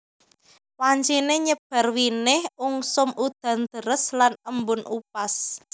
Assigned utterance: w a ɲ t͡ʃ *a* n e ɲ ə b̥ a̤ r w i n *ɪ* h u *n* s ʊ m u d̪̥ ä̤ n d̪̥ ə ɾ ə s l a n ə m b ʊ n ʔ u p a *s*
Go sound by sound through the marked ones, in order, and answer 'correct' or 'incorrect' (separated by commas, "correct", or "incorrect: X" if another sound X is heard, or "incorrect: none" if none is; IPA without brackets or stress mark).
incorrect: i, correct, incorrect: ŋ, correct